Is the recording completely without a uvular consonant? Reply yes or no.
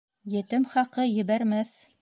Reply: no